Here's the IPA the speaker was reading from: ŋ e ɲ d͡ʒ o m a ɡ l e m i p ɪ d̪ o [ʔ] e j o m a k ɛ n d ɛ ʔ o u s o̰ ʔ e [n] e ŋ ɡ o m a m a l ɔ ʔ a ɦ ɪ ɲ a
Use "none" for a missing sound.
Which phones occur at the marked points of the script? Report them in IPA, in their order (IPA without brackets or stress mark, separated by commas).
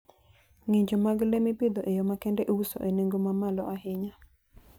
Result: ʔ, n